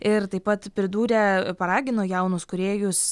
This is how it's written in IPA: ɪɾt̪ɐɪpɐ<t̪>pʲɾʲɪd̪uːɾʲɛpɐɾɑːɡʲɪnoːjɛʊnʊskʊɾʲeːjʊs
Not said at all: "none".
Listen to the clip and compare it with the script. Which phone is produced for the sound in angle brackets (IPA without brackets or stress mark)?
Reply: t̪